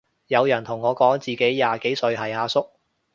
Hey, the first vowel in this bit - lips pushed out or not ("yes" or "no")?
no